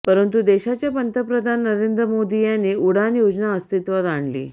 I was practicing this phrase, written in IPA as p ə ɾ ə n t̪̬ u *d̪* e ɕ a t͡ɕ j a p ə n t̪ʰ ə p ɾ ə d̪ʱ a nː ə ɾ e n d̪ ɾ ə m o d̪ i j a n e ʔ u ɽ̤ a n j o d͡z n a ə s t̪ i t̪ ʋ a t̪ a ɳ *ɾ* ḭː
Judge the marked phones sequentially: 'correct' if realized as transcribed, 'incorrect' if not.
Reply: correct, incorrect: l

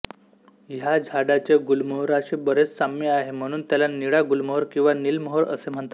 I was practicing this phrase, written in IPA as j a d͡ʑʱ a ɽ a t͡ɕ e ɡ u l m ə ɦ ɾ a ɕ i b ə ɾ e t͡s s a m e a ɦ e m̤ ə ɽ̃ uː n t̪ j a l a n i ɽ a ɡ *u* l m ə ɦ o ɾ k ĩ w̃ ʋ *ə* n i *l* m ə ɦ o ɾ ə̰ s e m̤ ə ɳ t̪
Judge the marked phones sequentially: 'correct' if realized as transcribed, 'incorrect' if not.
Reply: correct, incorrect: a, correct

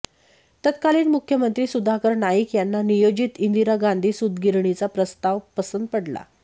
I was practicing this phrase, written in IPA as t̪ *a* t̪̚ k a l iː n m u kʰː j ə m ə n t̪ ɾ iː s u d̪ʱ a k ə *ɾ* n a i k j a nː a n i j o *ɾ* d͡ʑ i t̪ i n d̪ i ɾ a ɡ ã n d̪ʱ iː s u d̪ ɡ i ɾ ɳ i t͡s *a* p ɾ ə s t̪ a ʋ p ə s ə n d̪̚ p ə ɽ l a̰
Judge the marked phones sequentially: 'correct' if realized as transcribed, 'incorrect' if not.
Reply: incorrect: ə, correct, incorrect: none, correct

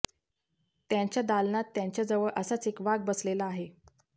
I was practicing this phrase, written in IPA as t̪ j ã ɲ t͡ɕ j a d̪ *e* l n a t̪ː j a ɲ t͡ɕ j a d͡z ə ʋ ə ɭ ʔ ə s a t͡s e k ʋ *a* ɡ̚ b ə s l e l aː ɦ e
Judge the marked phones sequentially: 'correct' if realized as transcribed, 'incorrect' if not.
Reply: incorrect: a, correct

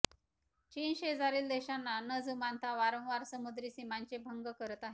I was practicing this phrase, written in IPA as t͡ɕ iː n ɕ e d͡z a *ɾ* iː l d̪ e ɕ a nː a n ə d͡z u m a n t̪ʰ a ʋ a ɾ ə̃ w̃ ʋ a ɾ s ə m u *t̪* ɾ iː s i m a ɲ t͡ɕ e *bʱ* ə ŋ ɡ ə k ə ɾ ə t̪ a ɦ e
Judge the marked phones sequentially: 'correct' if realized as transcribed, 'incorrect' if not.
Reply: correct, incorrect: d̪, correct

